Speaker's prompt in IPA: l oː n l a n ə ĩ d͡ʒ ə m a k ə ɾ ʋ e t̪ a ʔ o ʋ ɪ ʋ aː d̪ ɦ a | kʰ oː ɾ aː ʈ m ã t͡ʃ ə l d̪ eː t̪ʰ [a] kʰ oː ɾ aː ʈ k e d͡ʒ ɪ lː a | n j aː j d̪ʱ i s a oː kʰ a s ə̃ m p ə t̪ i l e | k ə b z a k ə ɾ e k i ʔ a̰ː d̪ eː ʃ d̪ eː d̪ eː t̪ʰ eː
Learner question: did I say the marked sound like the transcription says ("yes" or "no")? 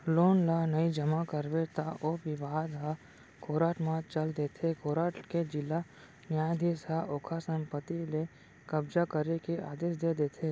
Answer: no